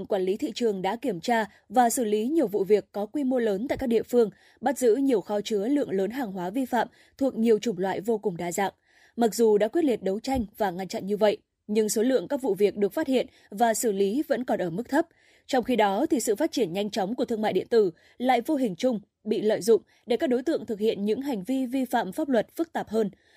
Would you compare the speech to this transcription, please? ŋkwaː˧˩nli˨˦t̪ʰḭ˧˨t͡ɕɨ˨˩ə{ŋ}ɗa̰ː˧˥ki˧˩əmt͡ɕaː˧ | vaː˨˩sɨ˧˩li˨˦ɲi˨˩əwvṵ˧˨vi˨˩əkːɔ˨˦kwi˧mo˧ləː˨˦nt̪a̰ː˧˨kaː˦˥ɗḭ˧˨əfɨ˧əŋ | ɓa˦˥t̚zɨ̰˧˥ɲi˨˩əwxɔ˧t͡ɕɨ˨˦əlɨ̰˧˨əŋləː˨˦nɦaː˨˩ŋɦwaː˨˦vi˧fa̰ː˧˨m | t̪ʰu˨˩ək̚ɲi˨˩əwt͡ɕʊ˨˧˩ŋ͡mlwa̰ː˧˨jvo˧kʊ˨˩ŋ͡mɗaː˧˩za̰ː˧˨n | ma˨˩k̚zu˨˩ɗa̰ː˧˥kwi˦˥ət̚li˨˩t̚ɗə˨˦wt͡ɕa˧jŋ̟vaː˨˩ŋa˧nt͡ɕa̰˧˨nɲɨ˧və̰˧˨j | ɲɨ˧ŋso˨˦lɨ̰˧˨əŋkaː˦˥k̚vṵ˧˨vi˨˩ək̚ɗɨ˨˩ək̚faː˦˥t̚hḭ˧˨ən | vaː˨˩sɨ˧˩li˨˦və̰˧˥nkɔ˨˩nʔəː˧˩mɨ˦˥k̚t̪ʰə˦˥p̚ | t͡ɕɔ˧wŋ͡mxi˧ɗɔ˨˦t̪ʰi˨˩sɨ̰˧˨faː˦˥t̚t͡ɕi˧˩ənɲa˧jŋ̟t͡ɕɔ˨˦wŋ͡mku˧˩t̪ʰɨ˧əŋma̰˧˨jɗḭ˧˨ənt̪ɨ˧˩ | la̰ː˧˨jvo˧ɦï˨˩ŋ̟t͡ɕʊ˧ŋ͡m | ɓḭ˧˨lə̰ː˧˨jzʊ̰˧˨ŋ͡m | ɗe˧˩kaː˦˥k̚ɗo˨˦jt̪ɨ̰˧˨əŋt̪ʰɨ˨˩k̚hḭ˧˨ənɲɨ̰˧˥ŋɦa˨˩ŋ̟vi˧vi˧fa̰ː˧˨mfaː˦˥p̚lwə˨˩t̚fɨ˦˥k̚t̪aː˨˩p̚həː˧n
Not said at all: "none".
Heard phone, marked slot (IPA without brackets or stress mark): ŋ